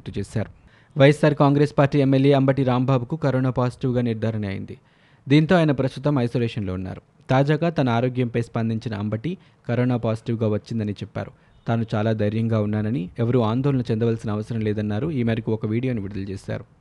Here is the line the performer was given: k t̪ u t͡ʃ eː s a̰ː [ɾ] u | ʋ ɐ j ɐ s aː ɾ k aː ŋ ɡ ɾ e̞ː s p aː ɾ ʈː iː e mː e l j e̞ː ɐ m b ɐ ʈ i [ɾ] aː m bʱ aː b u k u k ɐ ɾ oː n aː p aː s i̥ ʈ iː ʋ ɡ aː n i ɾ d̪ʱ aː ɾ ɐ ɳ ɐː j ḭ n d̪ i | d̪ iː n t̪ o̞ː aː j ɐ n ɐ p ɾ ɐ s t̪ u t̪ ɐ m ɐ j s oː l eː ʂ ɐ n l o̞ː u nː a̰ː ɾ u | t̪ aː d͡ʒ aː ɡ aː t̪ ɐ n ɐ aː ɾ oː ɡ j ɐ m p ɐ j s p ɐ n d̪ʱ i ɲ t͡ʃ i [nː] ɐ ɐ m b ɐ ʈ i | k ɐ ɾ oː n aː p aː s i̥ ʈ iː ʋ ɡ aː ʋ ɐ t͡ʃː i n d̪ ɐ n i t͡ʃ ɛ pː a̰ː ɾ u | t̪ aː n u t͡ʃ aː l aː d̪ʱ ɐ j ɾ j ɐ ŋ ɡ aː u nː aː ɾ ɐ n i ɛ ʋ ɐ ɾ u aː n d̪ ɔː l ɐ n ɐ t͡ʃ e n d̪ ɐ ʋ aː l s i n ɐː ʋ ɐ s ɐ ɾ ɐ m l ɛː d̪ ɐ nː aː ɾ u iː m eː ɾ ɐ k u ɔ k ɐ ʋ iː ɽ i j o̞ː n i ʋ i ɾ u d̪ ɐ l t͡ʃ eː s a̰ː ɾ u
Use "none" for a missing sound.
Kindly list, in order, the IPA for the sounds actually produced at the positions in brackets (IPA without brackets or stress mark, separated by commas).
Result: ɾ, ɾ, n